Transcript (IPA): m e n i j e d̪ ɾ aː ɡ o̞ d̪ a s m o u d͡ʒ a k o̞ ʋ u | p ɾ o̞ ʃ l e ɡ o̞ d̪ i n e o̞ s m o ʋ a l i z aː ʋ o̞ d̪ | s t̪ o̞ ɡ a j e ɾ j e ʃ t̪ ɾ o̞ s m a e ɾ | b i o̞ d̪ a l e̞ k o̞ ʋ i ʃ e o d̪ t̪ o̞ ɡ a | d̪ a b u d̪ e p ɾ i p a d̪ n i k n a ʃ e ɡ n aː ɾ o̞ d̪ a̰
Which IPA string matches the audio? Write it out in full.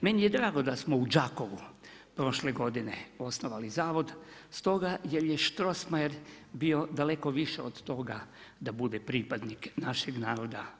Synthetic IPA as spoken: m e n i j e d̪ ɾ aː ɡ o̞ d̪ a s m o u d͡ʒ a k o̞ ʋ u | p ɾ o̞ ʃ l e ɡ o̞ d̪ i n e o̞ s n o ʋ a l i z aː ʋ o̞ d̪ | s t̪ o̞ ɡ a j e ɾ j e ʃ t̪ ɾ o̞ s m a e ɾ | b i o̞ d̪ a l e̞ k o̞ ʋ i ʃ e o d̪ t̪ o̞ ɡ a | d̪ a b u d̪ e p ɾ i p a d̪ n i k n a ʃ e ɡ n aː ɾ o̞ d̪ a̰